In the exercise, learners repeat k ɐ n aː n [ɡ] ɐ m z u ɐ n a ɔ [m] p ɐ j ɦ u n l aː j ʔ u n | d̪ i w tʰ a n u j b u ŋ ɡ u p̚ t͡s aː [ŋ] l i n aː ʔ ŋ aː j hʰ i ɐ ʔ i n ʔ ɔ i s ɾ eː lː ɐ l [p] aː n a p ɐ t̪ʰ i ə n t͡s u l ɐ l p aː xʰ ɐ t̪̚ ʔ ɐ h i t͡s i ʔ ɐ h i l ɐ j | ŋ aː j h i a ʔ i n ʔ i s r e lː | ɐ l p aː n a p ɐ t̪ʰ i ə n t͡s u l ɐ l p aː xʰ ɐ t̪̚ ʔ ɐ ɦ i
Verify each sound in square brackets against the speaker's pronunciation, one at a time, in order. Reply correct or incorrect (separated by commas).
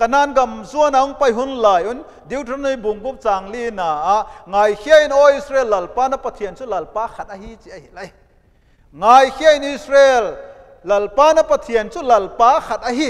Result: correct, incorrect, correct, correct